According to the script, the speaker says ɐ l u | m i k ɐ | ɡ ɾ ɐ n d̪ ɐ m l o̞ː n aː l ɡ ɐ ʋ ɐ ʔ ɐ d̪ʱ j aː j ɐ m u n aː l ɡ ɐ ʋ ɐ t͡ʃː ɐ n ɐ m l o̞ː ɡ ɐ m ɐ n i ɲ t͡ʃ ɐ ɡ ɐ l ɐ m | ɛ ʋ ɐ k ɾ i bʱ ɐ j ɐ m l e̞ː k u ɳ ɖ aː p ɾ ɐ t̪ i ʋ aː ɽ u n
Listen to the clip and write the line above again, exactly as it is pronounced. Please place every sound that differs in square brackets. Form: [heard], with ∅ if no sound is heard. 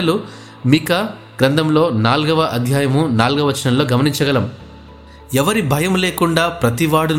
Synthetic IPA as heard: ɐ l u | m i k ɐ | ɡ ɾ ɐ n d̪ ɐ m l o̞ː n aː l ɡ ɐ ʋ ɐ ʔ ɐ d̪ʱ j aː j ɐ m u n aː l ɡ ɐ ʋ ɐ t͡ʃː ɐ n ɐ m l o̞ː ɡ ɐ m ɐ n i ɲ t͡ʃ ɐ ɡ ɐ l ɐ m | ɛ ʋ ɐ [∅] ɾ i bʱ ɐ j ɐ m l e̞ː k u ɳ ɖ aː p ɾ ɐ t̪ i ʋ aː ɽ u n